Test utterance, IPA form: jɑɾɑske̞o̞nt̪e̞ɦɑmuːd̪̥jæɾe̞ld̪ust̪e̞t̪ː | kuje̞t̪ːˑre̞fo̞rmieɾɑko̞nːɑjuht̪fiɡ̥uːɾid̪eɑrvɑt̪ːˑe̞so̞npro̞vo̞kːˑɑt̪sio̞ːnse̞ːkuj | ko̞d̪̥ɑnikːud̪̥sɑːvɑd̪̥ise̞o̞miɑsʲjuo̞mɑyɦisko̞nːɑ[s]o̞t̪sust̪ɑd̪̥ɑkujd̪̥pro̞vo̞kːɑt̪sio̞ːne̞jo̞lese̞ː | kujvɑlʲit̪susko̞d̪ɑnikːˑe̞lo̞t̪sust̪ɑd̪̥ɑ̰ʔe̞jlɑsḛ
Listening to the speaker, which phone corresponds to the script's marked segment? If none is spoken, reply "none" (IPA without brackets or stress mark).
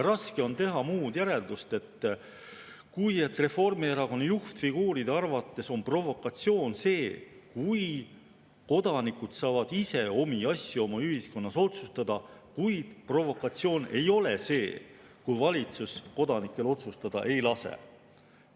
s